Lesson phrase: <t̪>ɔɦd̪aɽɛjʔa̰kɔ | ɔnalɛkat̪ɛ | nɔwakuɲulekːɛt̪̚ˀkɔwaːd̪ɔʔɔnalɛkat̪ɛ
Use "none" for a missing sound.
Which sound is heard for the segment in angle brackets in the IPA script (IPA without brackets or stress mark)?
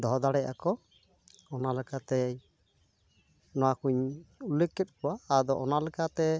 d̪